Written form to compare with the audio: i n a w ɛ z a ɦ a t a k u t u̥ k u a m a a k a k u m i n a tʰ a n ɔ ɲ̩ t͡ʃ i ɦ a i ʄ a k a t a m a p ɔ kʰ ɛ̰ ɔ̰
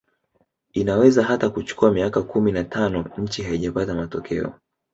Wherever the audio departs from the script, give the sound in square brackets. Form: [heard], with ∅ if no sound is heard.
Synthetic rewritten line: i n a w ɛ z a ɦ a t a k u [t͡ʃ] u̥ k u a m [i] a k a k u m i n a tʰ a n ɔ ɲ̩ t͡ʃ i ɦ a i ʄ a [p] a t a m a [t] ɔ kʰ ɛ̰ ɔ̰